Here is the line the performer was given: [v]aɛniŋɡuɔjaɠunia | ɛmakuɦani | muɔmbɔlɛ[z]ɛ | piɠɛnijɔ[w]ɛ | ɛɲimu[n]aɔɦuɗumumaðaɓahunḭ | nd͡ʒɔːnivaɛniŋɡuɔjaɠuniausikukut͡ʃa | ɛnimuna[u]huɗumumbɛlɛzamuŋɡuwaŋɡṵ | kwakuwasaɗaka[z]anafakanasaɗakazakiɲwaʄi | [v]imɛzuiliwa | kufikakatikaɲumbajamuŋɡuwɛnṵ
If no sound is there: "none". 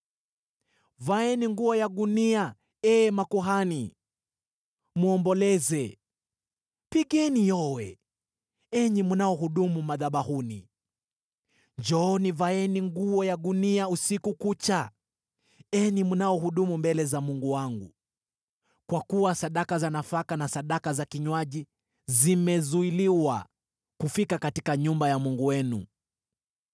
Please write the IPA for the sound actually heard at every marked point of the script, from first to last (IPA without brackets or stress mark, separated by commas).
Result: v, z, w, n, ɔ, z, z